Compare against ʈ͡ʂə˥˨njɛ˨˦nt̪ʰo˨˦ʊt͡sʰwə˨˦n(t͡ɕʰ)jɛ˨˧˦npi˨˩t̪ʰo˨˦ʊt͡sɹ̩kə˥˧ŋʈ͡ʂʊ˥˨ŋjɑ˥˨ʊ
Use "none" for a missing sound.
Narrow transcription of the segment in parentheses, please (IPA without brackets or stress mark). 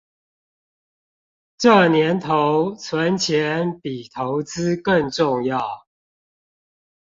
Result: t͡ɕʰ